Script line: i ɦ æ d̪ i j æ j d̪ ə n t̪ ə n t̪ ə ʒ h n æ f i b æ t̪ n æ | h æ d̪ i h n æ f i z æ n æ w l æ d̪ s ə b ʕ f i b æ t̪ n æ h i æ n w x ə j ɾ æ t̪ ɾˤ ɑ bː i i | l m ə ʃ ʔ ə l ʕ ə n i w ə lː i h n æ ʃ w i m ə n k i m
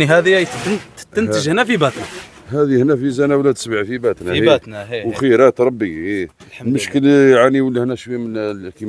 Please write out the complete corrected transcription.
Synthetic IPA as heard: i ɦ æ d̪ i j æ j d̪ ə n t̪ ə n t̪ ə ʒ h n æ f i b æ t̪ n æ | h æ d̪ i h n æ f i z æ n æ w l æ d̪ s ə b ʕ f i b æ t̪ n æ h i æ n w x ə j ɾ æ t̪ ɾˤ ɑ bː i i | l m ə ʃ k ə l ʕ a n i w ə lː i h n æ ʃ w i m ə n k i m